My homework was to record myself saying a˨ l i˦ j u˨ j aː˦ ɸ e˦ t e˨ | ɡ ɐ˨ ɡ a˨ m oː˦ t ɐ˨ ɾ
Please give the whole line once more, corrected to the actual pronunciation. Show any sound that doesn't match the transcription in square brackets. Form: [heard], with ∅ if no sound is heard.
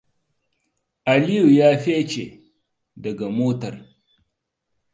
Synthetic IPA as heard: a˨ l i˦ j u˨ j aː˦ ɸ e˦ [t͡ʃ] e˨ | [d] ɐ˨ ɡ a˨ m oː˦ t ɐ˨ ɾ